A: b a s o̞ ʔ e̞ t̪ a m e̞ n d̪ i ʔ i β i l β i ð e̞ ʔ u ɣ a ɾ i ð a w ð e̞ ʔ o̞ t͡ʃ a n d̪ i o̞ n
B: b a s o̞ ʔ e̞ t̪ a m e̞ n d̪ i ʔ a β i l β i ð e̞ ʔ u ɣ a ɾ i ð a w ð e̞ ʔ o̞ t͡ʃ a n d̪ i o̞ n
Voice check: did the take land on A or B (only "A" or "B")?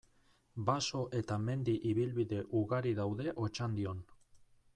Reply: A